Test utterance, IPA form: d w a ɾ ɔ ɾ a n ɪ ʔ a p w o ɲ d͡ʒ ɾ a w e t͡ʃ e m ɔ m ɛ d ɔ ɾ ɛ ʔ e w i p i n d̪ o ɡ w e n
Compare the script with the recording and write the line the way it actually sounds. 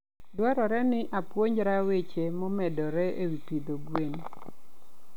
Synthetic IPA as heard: d w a ɾ ɔ ɾ ɛ n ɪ ʔ a p w o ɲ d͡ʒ ɾ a w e t͡ʃ e m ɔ m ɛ d ɔ ɾ ɛ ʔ e w i p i d̪ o ɡ w e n